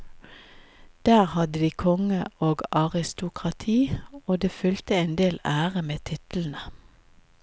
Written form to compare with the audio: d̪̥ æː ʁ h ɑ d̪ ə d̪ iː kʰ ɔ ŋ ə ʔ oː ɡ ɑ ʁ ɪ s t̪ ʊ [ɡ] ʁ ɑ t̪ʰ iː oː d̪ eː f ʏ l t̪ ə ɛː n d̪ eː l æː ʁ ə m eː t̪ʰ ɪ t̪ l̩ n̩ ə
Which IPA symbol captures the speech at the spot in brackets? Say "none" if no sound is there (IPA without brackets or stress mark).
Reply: k